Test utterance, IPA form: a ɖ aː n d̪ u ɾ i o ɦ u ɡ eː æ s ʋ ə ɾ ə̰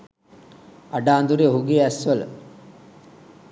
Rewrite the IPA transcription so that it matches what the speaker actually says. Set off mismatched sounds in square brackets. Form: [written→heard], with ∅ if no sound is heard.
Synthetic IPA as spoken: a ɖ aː n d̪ u ɾ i o ɦ u ɡ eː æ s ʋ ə [ɾ→l] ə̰